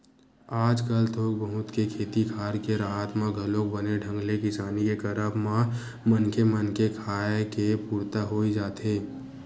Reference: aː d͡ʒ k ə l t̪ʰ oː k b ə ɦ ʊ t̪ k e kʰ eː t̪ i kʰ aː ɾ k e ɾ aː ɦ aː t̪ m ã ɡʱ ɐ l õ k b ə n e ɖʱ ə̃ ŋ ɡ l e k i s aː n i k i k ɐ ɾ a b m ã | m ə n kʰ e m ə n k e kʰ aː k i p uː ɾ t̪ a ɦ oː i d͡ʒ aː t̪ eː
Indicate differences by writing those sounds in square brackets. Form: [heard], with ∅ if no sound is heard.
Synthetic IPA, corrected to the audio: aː d͡ʒ k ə l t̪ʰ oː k b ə ɦ ʊ t̪ k e kʰ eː t̪ i kʰ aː ɾ k e ɾ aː ɦ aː t̪ m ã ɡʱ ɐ l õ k b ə n e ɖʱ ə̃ ŋ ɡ l e k [ɪ] s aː n i k [e] k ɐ ɾ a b m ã | m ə n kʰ e m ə n k e kʰ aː k [e] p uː ɾ t̪ a ɦ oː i d͡ʒ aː t̪ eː